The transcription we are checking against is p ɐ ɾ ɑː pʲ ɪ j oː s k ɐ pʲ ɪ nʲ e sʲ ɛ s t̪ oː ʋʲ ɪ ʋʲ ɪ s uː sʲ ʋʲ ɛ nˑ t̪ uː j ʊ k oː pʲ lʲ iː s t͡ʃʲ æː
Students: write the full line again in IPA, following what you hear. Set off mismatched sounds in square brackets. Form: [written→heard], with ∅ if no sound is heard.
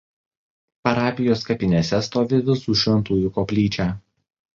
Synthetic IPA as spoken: p ɐ ɾ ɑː pʲ ɪ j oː s k ɐ pʲ ɪ nʲ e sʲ ɛ s t̪ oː ʋʲ ɪ ʋʲ ɪ s uː [sʲ→ʃʲ] ʋʲ ɛ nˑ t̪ uː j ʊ k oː pʲ lʲ iː [s→∅] t͡ʃʲ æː

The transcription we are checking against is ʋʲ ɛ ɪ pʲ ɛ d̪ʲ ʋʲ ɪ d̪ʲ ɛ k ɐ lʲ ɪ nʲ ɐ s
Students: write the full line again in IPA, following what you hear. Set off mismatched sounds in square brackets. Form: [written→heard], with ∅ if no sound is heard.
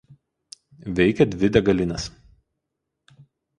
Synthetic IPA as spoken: ʋʲ ɛ ɪ [pʲ→kʲ] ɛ d̪ʲ ʋʲ ɪ d̪ʲ ɛ [k→ɡ] ɐ lʲ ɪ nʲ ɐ s

